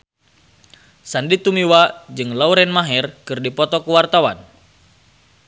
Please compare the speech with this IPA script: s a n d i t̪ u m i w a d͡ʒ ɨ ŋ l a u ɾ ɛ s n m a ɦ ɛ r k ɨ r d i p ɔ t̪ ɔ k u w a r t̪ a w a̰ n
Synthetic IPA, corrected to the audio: s a n d i t̪ u m i w a d͡ʒ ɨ ŋ l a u ɾ ɛ n m a ɦ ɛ r k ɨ r d i p ɔ t̪ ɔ k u w a r t̪ a w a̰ n